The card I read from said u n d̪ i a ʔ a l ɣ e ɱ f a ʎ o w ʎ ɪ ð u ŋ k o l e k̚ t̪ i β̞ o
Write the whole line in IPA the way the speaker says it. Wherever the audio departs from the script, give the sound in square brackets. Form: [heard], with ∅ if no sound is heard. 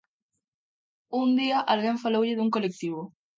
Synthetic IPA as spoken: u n d̪ i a ʔ a l ɣ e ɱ f a [l] o w ʎ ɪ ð u ŋ k o l e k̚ t̪ i β̞ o